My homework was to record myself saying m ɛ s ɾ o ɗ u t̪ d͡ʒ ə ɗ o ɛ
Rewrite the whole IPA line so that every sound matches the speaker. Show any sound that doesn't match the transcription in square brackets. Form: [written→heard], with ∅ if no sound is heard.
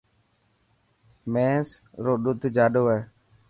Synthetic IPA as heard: m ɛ s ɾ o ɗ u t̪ d͡ʒ [ə→a] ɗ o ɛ